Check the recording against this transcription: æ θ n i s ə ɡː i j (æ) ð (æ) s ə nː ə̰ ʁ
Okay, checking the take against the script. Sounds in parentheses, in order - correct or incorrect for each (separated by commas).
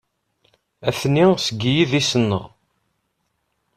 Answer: incorrect, incorrect